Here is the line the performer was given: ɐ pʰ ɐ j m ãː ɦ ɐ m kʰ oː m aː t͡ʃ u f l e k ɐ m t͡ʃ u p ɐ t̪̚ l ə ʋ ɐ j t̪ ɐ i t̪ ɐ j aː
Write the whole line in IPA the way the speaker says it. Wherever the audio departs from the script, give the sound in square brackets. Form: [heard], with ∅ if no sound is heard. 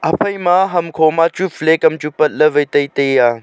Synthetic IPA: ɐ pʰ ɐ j m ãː ɦ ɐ m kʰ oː m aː t͡ʃ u f l e k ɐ m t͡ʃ u p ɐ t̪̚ l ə ʋ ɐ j t̪ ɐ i t̪ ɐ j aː